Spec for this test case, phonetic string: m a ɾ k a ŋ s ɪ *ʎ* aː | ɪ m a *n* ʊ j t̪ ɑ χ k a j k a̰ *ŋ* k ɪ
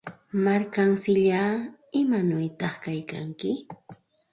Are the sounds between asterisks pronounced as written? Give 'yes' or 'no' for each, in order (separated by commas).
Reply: yes, yes, yes